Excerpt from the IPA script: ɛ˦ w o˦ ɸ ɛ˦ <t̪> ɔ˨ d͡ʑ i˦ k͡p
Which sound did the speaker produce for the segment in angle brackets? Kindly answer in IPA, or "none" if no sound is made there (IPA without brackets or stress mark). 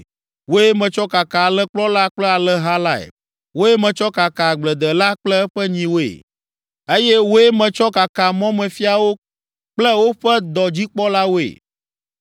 d̪